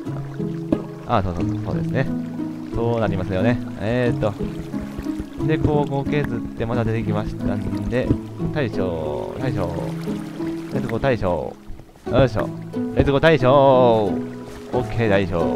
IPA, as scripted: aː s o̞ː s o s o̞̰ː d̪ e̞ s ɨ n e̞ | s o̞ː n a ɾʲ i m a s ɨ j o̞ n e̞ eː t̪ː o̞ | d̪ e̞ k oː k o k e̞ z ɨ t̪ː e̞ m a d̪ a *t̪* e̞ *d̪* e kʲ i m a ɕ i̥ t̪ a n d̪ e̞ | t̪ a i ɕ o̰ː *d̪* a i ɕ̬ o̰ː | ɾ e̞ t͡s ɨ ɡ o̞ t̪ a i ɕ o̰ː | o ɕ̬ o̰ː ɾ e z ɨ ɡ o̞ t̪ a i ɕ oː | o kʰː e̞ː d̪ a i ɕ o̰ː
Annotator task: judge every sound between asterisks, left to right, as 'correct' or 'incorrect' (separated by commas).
incorrect, incorrect, incorrect